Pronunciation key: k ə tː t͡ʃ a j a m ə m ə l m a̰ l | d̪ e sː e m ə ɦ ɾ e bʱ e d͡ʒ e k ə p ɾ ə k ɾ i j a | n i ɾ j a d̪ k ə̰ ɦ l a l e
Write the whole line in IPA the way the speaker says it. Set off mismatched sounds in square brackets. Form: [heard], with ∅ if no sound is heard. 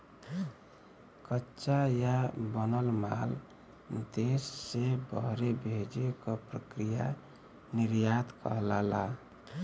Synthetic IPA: k ə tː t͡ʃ a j a [b] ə [n] ə l m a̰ l | d̪ e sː e [b] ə ɦ ɾ e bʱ e d͡ʒ e k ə p ɾ ə k ɾ i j a | n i ɾ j a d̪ k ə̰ ɦ l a l [a]